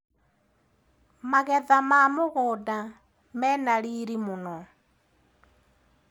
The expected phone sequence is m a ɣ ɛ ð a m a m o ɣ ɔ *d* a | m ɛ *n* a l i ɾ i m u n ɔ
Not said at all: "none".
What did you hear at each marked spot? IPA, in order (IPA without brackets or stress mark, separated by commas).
d, n